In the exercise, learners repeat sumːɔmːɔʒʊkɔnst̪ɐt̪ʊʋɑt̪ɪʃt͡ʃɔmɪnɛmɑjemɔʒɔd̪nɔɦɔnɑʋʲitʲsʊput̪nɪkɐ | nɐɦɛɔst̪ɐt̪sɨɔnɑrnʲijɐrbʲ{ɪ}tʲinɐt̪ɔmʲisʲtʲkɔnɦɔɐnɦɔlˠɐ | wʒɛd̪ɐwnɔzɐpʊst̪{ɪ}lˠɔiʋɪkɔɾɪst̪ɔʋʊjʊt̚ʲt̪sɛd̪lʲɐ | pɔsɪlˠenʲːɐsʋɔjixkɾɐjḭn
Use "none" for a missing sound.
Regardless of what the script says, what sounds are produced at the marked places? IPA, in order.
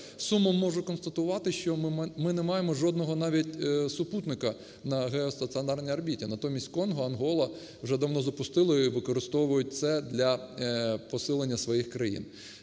i, ɪ

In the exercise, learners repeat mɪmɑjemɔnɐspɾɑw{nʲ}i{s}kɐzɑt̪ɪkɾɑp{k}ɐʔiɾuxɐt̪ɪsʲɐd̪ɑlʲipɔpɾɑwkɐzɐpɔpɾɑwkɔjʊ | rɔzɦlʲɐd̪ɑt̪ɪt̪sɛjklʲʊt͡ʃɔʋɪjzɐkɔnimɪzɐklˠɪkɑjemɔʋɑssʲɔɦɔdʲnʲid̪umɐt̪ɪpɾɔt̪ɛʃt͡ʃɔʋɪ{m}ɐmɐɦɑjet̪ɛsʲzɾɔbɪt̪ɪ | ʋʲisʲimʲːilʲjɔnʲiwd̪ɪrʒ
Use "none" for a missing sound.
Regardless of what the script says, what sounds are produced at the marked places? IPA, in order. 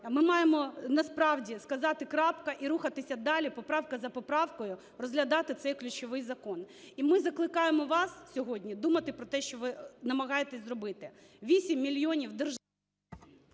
dʲ, s, k, n

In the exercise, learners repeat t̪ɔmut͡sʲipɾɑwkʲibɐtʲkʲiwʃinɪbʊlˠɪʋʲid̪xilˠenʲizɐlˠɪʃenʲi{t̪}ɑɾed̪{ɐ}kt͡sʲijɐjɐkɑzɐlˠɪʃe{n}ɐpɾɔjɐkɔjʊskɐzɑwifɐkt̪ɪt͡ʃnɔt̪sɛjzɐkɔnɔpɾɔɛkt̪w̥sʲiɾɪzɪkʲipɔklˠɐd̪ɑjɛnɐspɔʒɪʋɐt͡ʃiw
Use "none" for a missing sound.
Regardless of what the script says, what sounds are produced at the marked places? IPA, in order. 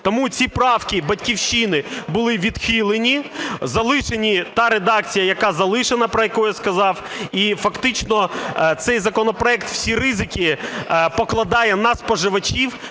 t̪, ɑ, n

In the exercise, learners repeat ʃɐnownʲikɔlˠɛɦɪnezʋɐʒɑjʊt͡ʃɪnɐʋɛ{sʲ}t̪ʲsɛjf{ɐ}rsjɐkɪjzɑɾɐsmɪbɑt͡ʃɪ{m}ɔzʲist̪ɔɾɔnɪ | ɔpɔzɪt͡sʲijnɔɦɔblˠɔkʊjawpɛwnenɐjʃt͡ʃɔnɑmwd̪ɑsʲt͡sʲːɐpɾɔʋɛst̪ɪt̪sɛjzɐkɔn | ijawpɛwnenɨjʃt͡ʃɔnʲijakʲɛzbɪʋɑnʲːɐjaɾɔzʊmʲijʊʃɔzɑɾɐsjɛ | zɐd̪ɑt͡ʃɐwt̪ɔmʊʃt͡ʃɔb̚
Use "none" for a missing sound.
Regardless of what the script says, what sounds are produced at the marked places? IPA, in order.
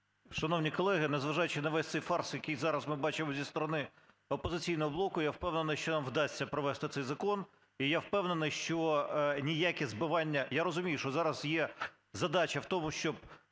sʲ, ɑ, m

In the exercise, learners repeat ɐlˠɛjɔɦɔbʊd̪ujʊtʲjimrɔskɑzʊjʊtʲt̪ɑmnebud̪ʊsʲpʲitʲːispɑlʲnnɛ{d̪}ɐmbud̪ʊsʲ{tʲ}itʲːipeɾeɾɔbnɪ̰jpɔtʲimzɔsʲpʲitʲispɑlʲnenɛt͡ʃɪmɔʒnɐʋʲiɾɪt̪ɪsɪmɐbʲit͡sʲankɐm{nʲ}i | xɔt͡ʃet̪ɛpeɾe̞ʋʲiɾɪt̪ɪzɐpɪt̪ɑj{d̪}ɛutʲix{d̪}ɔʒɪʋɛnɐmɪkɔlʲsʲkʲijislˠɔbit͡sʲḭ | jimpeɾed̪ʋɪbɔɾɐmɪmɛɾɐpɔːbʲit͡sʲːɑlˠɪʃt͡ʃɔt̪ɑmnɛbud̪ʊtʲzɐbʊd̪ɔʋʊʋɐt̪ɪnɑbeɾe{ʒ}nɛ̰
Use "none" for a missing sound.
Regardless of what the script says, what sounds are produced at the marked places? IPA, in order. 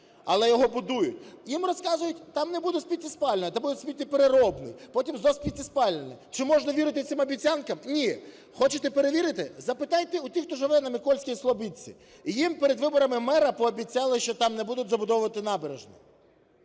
t̪, pʲ, nʲ, t̪, t̪, ʒ

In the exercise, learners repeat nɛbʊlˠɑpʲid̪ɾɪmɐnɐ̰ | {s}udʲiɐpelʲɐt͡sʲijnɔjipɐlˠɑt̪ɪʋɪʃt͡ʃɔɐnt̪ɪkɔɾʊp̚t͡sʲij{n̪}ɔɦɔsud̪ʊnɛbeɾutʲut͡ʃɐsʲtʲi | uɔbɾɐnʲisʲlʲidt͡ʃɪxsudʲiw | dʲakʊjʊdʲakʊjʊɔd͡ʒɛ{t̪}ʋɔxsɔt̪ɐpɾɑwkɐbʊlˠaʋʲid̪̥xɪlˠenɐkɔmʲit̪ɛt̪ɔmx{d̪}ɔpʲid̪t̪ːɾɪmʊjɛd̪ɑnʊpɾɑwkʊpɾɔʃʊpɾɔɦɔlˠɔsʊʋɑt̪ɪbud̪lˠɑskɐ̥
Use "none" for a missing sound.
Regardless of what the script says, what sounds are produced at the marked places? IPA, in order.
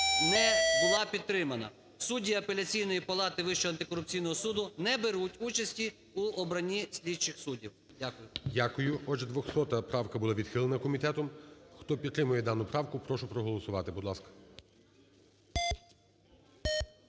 s, n̪, d̪, t̪

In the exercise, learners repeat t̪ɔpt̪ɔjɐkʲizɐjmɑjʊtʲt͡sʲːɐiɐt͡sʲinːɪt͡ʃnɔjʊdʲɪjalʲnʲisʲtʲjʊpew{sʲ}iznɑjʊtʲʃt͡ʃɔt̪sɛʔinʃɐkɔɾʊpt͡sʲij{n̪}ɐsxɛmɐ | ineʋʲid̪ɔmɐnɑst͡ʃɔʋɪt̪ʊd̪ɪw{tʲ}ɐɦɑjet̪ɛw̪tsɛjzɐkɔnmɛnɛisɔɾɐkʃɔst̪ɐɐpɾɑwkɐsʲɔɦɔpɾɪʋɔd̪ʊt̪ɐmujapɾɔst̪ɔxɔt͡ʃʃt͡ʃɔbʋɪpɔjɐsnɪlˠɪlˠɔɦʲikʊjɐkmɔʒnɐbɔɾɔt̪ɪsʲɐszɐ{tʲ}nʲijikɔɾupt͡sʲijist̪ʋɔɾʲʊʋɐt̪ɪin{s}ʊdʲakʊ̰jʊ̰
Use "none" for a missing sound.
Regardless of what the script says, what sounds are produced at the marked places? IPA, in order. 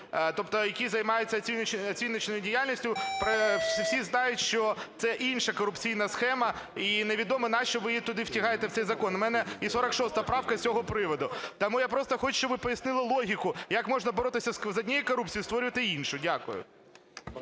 sʲ, n̪, tʲ, dʲ, ʃ

